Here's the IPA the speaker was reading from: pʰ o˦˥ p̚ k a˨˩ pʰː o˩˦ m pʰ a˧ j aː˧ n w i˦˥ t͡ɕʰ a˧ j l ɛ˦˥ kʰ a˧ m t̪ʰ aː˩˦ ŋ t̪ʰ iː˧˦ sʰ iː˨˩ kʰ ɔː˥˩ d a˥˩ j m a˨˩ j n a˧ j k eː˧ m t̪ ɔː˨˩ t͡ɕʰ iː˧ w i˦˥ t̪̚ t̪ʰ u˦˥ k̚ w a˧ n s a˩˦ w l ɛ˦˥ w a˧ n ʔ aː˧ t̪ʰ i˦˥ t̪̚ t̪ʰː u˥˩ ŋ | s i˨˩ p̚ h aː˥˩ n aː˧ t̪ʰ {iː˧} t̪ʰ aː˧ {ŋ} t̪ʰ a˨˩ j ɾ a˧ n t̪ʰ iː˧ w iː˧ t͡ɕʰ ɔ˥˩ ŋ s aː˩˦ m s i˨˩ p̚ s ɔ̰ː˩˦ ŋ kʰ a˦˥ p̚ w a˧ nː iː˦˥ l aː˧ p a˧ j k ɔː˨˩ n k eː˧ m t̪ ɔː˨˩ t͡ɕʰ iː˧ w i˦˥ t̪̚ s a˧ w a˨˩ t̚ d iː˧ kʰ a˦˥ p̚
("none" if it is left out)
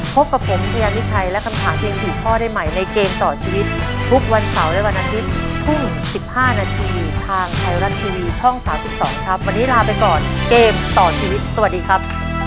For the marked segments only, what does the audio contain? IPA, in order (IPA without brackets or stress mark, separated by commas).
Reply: iː˧, ŋ